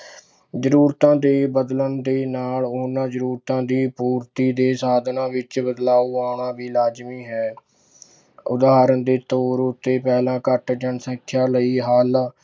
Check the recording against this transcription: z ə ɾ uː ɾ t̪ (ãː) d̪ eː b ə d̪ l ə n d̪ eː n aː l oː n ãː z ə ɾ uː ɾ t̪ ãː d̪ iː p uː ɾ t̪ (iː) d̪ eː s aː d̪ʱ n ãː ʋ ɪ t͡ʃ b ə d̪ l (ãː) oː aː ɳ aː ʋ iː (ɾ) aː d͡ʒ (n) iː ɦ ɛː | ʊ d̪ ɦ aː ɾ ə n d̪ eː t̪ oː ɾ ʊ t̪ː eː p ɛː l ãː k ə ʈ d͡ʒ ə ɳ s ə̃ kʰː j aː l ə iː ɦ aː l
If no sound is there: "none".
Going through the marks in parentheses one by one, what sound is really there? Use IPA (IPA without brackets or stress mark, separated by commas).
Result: ãː, iː, aː, l, m